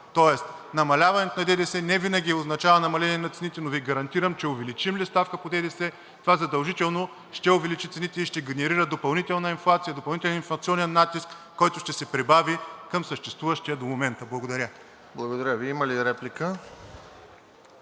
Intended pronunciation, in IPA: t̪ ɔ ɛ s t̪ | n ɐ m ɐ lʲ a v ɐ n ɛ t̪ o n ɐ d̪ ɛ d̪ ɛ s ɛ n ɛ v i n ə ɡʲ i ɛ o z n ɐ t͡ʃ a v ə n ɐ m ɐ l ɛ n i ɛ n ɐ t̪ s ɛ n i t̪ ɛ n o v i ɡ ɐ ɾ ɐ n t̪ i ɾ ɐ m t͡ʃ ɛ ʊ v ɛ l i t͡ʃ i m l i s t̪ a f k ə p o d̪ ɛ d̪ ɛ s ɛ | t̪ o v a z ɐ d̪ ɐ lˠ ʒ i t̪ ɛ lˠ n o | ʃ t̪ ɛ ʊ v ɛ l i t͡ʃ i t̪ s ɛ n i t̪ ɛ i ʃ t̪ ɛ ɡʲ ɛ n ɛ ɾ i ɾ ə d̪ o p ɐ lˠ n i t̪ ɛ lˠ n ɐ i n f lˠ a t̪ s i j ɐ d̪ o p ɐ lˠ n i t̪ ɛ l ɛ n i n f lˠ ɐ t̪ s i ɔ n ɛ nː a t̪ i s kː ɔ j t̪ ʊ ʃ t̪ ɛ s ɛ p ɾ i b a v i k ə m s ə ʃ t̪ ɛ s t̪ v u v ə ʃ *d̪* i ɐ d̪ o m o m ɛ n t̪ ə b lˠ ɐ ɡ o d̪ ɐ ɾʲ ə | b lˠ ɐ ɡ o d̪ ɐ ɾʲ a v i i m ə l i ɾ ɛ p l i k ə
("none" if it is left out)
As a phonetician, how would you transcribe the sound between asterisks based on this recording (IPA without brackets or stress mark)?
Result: t̪